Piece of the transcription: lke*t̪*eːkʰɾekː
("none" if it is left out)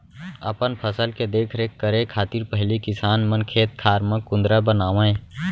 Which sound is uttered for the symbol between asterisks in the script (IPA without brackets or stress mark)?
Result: d̪